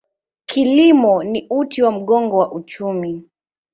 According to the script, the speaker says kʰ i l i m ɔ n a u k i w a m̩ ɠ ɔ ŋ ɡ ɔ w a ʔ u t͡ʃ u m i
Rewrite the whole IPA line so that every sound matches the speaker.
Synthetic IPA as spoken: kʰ i l i m ɔ n i u t i w a m̩ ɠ ɔ ŋ ɡ ɔ w a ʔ u t͡ʃ u m i